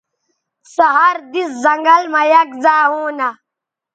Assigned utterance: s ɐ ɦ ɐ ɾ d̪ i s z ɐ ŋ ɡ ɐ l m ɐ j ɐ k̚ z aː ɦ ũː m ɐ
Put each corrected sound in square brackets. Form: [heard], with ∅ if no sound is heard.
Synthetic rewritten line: s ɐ ɦ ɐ ɾ d̪ i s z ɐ ŋ ɡ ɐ l m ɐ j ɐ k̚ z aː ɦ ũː [n] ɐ